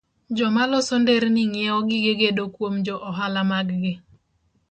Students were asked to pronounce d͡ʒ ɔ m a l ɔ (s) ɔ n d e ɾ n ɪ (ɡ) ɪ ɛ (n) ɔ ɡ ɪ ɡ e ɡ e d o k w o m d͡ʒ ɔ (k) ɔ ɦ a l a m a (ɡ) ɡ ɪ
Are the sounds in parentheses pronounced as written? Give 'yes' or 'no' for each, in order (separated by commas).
yes, no, no, no, yes